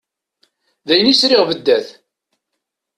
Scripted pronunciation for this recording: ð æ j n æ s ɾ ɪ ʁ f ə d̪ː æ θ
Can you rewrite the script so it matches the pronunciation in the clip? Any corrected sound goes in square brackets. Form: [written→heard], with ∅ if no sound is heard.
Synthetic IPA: ð æ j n [æ→i] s ɾ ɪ ʁ [f→v] ə d̪ː æ θ